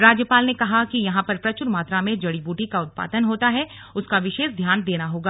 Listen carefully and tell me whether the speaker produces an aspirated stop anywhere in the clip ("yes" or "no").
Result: no